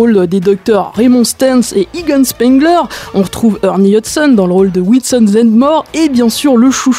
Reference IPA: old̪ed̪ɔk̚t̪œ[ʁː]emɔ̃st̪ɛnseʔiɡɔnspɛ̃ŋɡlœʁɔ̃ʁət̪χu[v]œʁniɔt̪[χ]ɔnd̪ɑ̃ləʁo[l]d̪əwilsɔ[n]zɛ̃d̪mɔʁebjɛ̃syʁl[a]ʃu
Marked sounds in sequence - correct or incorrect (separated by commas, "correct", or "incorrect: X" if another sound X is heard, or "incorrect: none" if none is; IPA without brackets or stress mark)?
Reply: correct, correct, incorrect: s, correct, correct, incorrect: ə